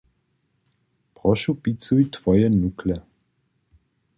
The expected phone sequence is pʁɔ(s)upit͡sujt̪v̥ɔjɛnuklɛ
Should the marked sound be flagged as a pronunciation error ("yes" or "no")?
yes